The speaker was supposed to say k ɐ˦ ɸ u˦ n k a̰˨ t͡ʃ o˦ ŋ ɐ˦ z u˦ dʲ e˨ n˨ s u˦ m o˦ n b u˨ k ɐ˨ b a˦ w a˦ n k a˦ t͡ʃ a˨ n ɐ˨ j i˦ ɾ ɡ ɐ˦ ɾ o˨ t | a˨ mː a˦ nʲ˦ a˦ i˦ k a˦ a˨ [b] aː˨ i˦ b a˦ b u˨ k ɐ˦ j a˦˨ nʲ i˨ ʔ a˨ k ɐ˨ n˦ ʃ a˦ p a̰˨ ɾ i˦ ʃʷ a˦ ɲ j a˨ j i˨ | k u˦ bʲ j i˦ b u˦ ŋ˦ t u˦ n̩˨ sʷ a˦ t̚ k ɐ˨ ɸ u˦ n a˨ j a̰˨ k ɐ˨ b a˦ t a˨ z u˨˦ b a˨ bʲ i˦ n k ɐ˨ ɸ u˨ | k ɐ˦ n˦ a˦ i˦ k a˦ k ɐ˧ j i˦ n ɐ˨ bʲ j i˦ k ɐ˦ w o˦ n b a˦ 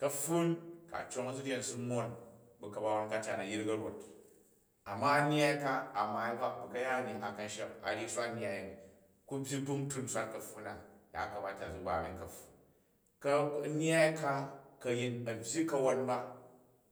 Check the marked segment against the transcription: incorrect: m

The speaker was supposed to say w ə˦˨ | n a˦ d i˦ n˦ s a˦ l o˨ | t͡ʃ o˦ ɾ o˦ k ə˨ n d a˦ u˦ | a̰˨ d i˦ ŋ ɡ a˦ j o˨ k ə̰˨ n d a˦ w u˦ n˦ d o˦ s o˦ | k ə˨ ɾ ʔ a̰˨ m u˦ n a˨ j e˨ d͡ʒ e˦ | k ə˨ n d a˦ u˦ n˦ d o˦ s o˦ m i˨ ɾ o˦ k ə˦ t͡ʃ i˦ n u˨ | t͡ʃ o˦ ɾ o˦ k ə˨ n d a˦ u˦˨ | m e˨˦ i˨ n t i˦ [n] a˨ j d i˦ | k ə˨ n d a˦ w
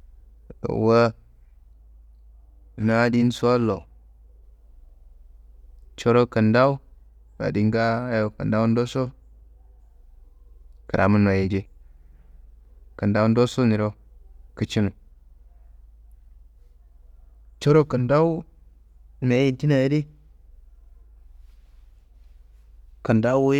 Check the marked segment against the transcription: correct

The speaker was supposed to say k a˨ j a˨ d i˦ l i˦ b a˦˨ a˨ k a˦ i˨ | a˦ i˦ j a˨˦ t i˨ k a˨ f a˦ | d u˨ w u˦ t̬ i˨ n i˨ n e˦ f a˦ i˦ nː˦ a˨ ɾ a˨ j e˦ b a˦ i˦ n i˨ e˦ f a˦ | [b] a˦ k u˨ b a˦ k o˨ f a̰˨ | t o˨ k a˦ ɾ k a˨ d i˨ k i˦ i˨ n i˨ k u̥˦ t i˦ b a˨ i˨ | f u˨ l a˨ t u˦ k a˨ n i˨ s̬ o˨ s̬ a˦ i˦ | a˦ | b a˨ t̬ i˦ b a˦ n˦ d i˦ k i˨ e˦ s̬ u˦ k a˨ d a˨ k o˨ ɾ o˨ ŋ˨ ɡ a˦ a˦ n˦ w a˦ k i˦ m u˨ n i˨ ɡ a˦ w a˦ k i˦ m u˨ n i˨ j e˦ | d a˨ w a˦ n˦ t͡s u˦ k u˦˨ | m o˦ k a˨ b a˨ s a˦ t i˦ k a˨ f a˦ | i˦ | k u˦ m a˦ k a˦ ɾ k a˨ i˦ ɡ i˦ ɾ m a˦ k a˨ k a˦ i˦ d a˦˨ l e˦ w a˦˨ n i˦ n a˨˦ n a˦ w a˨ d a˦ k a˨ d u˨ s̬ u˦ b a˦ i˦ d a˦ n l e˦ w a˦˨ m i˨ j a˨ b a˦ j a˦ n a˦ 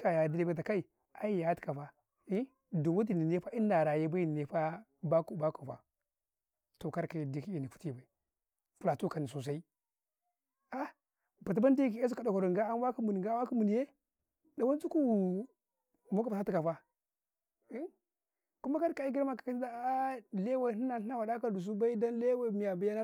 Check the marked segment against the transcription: correct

